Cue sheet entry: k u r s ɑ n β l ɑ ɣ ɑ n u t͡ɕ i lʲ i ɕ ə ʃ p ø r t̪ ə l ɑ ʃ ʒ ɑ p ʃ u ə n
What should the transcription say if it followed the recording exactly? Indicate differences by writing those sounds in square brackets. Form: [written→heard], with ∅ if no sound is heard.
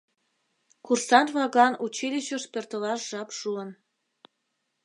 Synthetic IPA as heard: k u r s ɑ n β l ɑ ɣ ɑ n u t͡ɕ i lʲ i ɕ ə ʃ p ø r t̪ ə l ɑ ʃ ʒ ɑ p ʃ u ə n